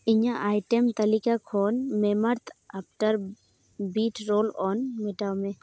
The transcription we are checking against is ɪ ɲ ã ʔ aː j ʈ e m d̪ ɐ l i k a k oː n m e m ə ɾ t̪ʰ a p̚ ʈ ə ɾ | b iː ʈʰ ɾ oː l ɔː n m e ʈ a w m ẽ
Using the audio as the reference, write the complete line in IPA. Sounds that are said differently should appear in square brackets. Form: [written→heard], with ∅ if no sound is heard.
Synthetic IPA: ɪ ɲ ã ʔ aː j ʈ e m [d̪→t̪] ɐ l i k a [k→kʰ] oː n m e m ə ɾ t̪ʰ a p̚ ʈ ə ɾ | b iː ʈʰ ɾ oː l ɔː n m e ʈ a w m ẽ